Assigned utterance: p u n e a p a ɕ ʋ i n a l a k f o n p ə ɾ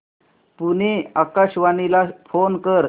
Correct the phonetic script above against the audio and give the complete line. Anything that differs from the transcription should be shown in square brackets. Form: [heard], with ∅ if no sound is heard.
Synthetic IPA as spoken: p u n e a [k] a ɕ ʋ [a] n [i] l a [∅] f o n [k] ə ɾ

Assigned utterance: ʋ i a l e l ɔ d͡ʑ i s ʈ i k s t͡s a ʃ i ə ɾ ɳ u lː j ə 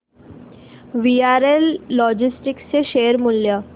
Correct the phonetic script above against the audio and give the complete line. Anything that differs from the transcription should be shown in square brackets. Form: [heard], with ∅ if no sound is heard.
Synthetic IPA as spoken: ʋ i a [ɾ] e [lː] ɔ d͡ʑ i s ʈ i k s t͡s [e] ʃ [e] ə ɾ [m] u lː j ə

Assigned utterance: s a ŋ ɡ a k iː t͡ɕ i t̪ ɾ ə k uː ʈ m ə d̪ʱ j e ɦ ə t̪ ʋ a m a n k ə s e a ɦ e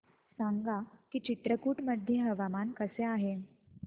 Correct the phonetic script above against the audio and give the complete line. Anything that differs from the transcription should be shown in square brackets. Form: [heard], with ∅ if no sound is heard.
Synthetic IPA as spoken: s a ŋ ɡ a k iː t͡ɕ i t̪ ɾ ə k uː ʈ m ə d̪ʱ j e ɦ ə [∅] ʋ a m a n k ə s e a ɦ e

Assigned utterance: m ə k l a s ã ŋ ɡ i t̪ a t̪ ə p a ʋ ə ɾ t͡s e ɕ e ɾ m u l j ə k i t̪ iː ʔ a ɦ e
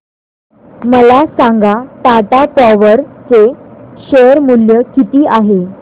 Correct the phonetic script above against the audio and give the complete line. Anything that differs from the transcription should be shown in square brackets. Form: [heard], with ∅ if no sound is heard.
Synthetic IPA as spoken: m ə [∅] l a s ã ŋ ɡ [a] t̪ a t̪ [a] p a ʋ ə ɾ t͡s e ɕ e ɾ m u l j ə k i t̪ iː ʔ a ɦ e

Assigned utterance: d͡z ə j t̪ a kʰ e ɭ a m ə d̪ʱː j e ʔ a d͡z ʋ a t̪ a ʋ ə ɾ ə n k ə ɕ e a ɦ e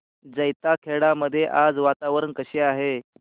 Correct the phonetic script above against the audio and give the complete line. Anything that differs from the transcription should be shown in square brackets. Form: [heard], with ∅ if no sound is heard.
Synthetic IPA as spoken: d͡z ə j t̪ a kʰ e [ɽ] a m ə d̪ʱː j e ʔ a d͡z ʋ a t̪ a ʋ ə ɾ ə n k ə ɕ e a ɦ e

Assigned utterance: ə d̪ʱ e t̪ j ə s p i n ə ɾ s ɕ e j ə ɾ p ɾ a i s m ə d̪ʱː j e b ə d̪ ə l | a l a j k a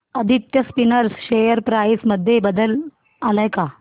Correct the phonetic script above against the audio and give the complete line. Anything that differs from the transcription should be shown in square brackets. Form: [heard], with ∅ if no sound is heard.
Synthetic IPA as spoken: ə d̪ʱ [i] t̪ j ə s p i n ə ɾ s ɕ e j ə ɾ p ɾ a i s m ə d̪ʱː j e b ə d̪ ə l | a l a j k a

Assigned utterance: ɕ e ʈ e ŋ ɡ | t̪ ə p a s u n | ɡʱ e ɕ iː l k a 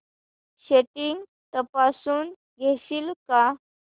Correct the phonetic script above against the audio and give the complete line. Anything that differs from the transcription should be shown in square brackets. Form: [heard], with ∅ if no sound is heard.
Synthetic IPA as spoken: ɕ e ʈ [i] ŋ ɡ | t̪ ə p a s [uː] n | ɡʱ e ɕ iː l k a

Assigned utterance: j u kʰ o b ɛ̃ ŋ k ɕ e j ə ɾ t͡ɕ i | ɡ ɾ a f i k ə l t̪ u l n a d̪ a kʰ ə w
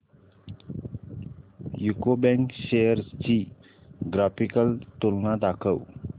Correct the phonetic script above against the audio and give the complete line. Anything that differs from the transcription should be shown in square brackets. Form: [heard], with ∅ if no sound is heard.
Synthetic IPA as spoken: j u [k] o b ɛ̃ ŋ k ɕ e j ə ɾ t͡ɕ i | ɡ ɾ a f i k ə l t̪ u l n a d̪ a kʰ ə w

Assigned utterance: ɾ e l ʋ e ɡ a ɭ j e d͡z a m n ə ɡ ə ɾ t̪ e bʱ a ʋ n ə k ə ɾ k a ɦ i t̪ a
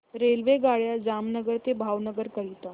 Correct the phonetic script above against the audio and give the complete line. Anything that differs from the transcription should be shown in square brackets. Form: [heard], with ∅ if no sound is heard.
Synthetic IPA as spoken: ɾ e l ʋ e ɡ a ɭ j [a] d͡z a m n ə ɡ ə ɾ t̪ e bʱ a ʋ n ə [ɡ] ə ɾ k [ə] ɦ i t̪ a

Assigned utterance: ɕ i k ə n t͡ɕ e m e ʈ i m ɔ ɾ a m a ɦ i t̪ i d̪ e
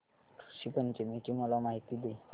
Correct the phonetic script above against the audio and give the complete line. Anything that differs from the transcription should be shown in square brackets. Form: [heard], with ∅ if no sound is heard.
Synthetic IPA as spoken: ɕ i [p] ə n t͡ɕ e m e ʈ i m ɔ [l] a m a ɦ i t̪ i d̪ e

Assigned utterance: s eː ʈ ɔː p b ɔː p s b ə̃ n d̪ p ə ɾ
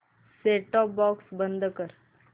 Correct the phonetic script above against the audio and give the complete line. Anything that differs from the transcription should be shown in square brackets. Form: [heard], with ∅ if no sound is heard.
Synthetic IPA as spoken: s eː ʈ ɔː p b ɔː [k] s b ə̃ n d̪ [k] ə ɾ

